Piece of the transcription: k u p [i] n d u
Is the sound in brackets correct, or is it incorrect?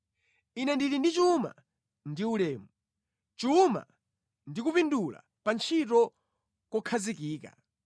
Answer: correct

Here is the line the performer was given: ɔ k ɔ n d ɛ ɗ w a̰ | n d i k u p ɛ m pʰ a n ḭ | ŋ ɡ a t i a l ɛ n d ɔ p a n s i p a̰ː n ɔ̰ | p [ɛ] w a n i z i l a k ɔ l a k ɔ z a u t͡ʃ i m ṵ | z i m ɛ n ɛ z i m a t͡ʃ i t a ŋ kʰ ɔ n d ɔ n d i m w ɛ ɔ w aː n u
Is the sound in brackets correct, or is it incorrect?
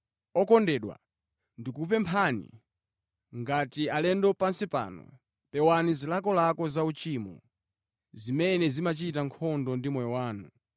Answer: correct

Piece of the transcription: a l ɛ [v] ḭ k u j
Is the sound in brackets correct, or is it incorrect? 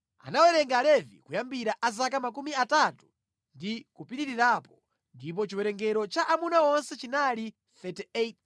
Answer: correct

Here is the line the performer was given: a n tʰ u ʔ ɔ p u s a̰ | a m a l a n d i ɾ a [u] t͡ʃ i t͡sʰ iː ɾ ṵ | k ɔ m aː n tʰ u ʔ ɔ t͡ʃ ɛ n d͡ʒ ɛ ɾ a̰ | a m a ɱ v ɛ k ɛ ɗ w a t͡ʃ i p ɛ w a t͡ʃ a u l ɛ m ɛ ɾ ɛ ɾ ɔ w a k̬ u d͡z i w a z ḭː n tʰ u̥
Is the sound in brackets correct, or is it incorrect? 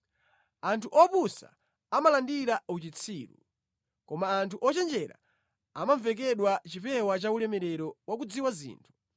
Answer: correct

